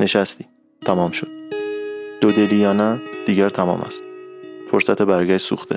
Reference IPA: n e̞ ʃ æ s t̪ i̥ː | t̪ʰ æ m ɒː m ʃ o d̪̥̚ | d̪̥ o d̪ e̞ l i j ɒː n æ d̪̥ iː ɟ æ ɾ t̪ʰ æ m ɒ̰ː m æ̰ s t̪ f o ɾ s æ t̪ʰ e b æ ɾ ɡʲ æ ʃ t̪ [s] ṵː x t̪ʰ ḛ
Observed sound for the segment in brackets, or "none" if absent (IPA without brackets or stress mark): s